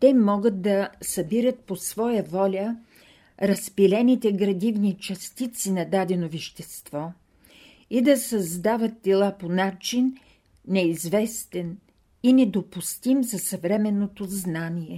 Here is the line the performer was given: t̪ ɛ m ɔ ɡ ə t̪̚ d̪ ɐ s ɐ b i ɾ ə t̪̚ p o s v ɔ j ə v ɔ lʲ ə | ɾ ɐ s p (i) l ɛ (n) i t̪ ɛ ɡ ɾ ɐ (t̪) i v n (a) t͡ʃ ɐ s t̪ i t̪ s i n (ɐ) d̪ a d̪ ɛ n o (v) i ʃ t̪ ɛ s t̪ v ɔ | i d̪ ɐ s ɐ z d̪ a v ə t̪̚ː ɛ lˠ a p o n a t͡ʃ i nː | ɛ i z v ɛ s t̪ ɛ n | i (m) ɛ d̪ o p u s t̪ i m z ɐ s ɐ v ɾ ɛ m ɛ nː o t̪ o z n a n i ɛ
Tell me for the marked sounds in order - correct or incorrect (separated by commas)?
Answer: correct, correct, incorrect, incorrect, correct, correct, incorrect